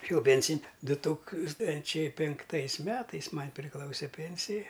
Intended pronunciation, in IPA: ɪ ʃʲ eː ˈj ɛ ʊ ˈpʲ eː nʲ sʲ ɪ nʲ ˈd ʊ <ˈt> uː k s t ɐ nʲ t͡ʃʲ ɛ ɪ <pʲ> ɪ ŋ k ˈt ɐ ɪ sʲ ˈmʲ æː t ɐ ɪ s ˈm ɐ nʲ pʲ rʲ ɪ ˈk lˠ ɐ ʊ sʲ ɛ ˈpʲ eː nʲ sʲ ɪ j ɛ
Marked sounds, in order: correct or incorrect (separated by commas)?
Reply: correct, correct